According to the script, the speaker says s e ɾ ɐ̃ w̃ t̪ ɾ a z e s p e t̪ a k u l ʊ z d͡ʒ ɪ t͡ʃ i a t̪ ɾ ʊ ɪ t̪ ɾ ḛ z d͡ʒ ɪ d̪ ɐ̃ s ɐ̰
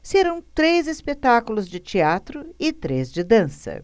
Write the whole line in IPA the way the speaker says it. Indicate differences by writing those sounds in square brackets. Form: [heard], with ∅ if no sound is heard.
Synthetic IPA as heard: s e ɾ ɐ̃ w̃ t̪ ɾ [e] z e s p e t̪ a k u l ʊ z d͡ʒ ɪ t͡ʃ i a t̪ ɾ ʊ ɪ t̪ ɾ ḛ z d͡ʒ ɪ d̪ ɐ̃ s ɐ̰